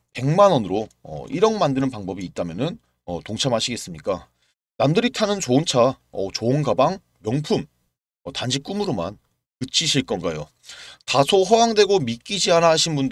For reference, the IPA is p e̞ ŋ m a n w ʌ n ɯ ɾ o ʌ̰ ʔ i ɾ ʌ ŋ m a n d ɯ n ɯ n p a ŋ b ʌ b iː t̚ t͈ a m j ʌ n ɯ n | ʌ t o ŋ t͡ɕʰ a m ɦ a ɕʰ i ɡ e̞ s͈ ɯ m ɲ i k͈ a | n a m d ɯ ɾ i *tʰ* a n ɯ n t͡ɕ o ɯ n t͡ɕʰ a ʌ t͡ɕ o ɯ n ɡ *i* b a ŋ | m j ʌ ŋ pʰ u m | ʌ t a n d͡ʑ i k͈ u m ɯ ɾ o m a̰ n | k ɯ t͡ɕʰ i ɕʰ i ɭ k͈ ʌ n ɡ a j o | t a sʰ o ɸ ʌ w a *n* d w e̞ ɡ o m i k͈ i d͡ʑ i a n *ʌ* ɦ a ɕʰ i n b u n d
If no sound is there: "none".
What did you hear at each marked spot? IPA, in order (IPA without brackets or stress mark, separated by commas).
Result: tʰ, a, ŋ, a